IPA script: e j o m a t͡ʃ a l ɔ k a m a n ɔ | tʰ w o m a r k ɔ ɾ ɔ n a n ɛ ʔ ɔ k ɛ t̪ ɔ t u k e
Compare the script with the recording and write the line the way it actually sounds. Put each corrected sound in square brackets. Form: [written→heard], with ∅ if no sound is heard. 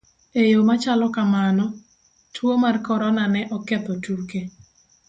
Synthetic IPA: e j o m a t͡ʃ a l ɔ k a m a n ɔ | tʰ w o m a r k ɔ ɾ ɔ n a n ɛ ʔ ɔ k ɛ t̪ ɔ t u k e